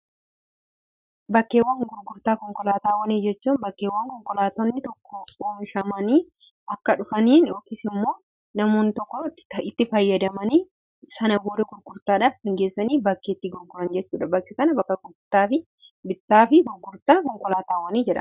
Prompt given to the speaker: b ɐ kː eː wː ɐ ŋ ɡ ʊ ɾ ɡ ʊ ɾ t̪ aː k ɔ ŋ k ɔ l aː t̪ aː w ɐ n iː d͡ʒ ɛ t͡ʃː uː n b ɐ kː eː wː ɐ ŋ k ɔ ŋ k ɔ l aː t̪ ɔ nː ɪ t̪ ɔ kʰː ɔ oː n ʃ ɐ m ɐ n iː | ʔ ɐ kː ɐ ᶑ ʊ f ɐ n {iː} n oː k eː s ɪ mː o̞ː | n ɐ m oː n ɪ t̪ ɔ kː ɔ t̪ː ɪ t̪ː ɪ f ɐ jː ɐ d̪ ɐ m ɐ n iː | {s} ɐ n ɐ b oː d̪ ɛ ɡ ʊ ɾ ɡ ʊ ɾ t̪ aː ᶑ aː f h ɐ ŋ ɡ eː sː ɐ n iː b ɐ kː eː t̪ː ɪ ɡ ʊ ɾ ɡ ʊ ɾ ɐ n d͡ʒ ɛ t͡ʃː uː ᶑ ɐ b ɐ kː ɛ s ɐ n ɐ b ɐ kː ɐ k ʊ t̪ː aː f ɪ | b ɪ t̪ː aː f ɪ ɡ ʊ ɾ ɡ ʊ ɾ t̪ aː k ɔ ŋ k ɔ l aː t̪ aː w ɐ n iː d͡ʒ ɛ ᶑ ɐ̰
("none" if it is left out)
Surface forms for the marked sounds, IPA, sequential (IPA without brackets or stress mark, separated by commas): iː, s